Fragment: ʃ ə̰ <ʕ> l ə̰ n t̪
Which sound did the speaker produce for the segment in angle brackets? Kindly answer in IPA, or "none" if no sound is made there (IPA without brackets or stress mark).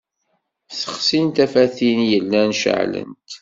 ʕ